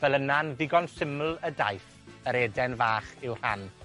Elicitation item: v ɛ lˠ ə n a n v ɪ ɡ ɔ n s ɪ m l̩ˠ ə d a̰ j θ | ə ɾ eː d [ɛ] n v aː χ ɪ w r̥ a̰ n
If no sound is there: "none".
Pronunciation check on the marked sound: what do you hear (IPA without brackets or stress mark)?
ɛ